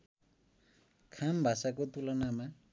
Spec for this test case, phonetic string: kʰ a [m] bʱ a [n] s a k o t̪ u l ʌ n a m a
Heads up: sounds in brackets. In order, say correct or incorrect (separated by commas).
correct, incorrect